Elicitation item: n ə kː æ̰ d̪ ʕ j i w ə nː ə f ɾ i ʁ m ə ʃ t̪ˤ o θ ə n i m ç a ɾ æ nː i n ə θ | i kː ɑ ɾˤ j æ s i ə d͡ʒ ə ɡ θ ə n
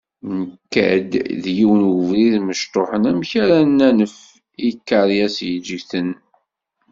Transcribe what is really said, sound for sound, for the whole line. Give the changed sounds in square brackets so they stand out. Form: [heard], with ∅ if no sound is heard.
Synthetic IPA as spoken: n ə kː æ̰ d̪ [ð] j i w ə [n] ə [v] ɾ i [ð] m ə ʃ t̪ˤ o [ħ] ə n [æ] m ç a ɾ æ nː [æ] n ə [f] | i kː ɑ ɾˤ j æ s [j] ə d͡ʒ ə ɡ θ ə n